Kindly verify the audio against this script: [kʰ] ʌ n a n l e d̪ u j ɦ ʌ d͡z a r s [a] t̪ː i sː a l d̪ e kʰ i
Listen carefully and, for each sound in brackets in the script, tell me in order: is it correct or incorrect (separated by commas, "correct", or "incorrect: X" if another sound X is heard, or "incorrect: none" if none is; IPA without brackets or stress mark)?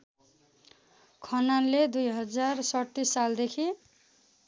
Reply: correct, incorrect: ʌ